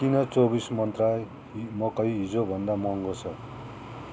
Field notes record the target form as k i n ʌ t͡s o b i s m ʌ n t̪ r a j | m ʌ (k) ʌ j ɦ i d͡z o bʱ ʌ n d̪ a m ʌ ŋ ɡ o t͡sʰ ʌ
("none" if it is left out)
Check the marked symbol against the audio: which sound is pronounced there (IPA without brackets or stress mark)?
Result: k